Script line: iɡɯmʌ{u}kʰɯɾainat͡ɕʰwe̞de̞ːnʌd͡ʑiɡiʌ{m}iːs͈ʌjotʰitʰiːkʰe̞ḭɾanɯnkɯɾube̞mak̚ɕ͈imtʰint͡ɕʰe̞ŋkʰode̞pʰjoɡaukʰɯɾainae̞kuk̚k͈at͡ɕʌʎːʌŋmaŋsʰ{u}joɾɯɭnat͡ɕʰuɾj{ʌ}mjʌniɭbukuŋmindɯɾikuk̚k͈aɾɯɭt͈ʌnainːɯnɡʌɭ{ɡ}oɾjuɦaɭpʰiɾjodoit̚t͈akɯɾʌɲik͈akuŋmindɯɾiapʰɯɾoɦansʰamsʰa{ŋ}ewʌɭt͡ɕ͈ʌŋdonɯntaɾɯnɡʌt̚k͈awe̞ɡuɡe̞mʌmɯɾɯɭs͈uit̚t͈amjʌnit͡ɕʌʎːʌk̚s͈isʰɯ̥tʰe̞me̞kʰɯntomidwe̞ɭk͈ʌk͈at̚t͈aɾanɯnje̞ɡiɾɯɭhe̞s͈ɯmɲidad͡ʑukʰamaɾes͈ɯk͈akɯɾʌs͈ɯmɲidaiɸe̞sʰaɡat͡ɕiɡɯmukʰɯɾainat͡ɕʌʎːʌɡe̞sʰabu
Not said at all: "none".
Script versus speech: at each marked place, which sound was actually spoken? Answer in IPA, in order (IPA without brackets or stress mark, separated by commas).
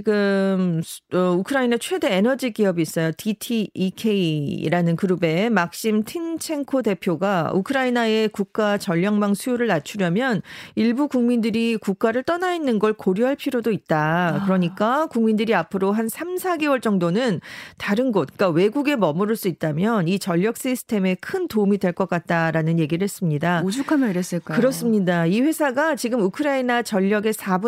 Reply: u, b, u, ʌ, k, ɡ